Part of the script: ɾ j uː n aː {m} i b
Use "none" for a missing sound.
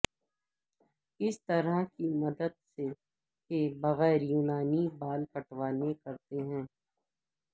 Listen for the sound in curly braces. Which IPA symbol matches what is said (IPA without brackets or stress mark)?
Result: n